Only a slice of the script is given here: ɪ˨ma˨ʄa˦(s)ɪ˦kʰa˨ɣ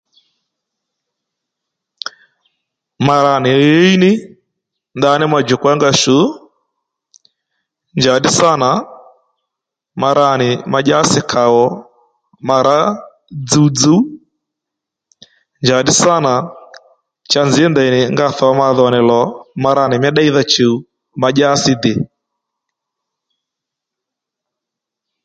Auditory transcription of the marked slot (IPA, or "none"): s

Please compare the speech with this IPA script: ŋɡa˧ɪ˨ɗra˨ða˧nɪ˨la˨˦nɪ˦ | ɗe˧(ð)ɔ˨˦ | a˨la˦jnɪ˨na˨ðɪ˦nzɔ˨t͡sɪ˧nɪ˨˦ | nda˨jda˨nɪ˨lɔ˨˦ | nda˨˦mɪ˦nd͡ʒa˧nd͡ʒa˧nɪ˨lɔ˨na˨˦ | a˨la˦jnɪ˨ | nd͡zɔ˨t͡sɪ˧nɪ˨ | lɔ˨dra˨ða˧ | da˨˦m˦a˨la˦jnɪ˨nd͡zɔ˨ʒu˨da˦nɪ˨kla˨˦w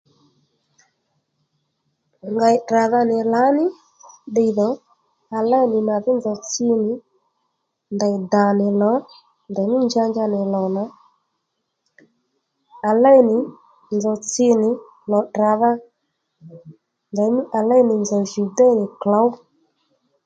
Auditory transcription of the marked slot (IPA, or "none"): ð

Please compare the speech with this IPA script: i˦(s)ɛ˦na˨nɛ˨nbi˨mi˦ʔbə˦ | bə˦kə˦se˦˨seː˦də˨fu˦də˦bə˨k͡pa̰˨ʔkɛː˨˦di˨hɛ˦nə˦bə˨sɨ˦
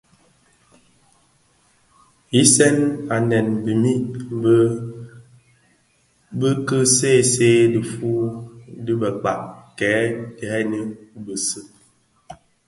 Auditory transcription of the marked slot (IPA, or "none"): s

